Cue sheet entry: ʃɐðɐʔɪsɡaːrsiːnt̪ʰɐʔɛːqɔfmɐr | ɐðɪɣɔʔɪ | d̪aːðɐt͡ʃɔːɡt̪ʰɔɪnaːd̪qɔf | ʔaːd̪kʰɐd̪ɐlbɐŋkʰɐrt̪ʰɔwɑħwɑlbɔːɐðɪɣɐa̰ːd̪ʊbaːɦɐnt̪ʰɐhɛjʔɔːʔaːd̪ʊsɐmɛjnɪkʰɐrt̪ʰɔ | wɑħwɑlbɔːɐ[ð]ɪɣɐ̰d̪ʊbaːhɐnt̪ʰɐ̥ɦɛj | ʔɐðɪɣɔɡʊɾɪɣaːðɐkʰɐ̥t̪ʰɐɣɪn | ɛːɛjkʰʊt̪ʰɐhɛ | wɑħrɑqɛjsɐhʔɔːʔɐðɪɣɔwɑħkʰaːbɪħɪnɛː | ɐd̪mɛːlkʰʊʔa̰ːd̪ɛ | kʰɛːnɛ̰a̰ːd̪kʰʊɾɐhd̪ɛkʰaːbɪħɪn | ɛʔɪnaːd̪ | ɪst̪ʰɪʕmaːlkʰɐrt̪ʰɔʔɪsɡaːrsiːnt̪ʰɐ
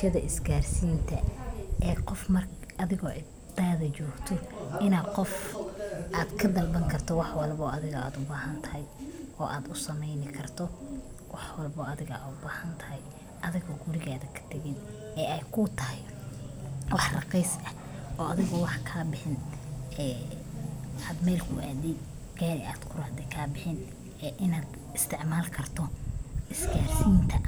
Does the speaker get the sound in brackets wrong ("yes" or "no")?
no